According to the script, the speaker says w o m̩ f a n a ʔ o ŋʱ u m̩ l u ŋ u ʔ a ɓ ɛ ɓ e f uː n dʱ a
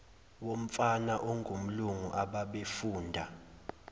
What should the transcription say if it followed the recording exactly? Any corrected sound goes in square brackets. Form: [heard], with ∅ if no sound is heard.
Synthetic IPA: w o m̩ f a n a ʔ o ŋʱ u m̩ l u ŋ u ʔ a ɓ [a] ɓ e f uː n dʱ a

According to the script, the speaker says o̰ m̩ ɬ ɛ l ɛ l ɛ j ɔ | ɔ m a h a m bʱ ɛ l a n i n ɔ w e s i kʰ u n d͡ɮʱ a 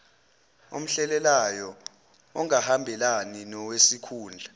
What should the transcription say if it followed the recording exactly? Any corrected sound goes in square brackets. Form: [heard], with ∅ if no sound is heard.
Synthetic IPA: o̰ m̩ ɬ ɛ l ɛ l [a] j ɔ | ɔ [ŋ] a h a m bʱ ɛ l a n i n ɔ w e s i kʰ [uː] n d͡ɮʱ a

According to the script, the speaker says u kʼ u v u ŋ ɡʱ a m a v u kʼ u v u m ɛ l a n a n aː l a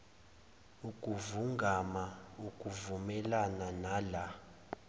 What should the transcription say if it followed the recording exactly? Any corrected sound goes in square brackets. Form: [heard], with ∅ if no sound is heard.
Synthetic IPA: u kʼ u v u ŋ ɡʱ a m a [∅] u kʼ u v u m ɛ l a n a n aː l a

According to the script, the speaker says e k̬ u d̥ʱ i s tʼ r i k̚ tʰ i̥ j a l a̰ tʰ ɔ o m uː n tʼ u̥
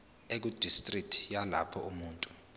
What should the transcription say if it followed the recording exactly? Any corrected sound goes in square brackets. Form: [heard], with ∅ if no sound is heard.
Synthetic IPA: e k̬ u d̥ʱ i s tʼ r i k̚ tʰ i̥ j a l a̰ [pʰ] ɔ [u] m uː n tʼ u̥

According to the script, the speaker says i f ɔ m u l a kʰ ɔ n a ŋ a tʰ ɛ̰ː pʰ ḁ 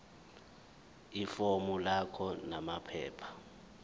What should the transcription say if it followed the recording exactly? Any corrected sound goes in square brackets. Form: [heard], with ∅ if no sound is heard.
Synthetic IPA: i f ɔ m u l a kʰ ɔ n a [m] a [pʰ] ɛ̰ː pʰ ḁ

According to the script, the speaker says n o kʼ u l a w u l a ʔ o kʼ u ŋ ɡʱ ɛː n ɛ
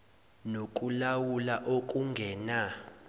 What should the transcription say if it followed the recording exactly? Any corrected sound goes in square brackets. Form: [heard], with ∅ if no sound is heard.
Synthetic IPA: n o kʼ u l a w u l a ʔ o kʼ u ŋ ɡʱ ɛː n [a]

